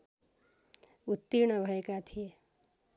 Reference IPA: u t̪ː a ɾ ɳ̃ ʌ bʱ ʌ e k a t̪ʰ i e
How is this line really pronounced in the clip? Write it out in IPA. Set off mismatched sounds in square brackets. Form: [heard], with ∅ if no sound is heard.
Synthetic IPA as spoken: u t̪ː [i] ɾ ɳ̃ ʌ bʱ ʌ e k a t̪ʰ i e